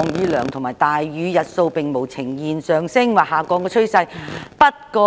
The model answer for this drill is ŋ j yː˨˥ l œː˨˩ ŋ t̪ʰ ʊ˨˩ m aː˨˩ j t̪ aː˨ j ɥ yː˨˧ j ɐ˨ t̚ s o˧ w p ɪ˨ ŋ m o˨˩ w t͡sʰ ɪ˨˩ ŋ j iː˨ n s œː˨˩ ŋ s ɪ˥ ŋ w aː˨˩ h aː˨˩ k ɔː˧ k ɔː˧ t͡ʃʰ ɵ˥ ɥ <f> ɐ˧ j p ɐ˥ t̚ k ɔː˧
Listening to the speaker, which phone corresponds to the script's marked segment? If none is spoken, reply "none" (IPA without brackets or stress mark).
s